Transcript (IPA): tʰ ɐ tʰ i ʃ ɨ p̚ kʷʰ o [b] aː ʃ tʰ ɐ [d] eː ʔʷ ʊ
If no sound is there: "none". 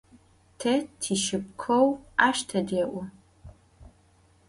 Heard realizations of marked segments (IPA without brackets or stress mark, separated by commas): w, d